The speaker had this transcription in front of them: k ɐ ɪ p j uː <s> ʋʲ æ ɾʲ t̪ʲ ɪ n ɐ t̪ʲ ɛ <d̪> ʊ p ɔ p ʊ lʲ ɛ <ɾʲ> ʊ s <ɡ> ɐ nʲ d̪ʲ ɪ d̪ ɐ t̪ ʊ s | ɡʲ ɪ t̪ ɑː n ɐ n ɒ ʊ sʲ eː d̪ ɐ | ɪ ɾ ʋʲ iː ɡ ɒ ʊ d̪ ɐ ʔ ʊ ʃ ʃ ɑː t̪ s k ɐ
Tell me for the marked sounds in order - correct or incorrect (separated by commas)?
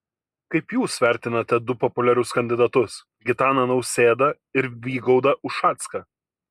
correct, correct, correct, incorrect